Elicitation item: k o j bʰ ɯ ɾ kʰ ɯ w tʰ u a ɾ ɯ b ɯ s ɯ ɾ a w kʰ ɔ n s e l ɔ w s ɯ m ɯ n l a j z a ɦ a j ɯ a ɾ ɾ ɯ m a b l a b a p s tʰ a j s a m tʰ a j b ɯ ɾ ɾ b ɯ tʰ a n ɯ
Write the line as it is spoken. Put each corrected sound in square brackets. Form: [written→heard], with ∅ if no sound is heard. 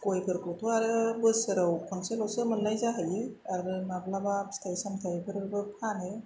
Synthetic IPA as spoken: k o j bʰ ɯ ɾ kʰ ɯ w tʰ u a ɾ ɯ b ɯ s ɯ ɾ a w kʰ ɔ n s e l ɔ w s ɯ m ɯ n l a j z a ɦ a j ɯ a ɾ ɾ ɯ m a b l a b a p s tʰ a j s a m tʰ a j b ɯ ɾ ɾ b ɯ [tʰ→pʰ] a n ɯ